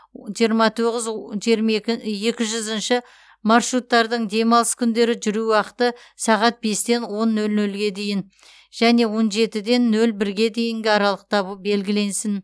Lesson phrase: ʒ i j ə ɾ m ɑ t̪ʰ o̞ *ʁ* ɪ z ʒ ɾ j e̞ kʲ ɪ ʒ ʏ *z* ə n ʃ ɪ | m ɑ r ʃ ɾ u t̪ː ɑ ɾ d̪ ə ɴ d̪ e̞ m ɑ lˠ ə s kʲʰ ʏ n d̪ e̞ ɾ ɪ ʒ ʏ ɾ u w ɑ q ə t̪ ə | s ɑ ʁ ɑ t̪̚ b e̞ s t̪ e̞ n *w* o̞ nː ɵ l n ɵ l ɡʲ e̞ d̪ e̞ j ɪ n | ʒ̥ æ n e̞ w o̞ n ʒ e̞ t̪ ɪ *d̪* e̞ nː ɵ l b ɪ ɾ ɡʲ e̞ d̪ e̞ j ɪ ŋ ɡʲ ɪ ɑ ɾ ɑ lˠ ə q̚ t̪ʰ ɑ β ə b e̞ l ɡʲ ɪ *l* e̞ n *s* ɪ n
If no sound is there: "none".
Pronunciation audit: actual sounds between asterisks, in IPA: ʁ, z, w, d̪, l, s

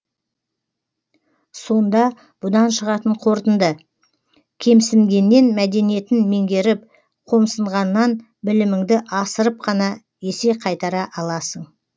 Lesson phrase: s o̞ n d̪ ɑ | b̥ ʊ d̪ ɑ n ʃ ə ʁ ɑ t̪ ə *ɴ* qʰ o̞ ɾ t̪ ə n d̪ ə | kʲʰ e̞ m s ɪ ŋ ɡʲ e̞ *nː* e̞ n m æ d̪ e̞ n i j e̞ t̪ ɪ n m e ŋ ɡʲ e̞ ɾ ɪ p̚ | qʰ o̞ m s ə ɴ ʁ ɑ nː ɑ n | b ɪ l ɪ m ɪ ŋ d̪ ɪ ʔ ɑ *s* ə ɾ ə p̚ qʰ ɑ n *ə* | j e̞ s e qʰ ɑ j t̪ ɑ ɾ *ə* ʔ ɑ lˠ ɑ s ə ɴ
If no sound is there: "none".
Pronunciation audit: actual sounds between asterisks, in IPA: ɴ, nː, s, ɑ, ɑ

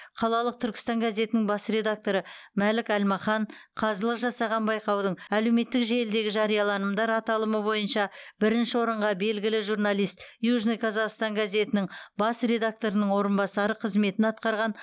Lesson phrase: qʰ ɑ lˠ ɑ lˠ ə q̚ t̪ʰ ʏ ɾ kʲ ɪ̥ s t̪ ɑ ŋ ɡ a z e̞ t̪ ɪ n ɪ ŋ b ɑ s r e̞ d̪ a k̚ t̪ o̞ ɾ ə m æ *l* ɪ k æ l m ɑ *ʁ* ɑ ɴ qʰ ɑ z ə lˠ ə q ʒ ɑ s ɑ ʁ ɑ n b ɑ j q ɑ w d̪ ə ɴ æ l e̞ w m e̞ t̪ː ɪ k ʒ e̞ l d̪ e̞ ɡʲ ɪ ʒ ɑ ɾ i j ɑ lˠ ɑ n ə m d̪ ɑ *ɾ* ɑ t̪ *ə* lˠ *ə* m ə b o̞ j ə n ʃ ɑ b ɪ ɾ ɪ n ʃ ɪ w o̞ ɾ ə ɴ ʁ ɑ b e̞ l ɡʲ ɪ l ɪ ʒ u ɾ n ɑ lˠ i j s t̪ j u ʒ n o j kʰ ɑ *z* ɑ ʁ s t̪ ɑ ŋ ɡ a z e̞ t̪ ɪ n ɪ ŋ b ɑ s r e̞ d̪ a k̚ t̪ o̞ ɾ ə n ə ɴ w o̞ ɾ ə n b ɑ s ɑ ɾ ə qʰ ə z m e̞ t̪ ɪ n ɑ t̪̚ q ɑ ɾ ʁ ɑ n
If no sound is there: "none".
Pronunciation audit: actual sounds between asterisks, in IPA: l, χ, ɾ, ɑ, ə, z

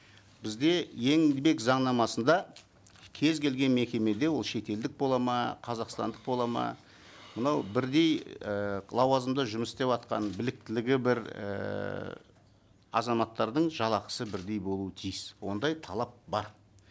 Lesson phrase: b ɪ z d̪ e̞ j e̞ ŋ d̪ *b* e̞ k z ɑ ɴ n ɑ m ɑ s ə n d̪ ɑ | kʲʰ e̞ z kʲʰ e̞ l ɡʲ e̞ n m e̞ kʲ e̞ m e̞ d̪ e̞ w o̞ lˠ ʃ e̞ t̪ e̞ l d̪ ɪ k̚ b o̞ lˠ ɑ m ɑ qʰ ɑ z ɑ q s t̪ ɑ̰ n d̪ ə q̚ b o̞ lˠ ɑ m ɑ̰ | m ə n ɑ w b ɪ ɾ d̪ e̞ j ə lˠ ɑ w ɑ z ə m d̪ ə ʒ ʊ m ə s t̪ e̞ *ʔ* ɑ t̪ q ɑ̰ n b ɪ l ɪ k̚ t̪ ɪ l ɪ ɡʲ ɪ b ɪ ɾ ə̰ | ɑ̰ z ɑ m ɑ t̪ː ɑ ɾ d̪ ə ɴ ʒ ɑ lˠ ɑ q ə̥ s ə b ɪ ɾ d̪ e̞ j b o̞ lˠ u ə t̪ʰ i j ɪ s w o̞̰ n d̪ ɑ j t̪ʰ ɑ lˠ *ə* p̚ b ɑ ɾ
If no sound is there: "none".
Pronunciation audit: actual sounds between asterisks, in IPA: b, p, ɑ

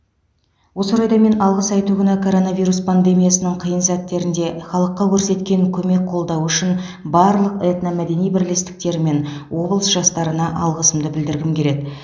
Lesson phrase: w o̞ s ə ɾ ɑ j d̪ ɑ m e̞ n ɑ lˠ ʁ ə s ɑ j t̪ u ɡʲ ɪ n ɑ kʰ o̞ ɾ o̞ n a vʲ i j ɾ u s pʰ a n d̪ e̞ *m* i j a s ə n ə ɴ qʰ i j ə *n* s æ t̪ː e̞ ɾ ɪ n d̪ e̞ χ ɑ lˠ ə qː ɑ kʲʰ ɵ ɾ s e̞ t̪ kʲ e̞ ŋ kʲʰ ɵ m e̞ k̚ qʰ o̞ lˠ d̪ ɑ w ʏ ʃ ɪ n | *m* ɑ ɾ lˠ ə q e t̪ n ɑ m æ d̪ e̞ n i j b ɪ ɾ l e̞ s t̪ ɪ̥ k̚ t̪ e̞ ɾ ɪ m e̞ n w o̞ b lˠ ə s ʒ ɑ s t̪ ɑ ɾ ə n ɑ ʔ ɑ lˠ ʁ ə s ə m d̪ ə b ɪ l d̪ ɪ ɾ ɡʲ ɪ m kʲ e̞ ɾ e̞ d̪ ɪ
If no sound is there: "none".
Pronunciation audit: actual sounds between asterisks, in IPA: m, n, b

